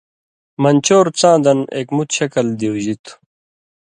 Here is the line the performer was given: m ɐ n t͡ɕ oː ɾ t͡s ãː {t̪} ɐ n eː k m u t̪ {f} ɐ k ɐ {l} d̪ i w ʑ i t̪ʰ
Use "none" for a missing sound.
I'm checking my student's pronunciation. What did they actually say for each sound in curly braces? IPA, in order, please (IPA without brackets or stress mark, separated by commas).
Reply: d̪, ɕ, l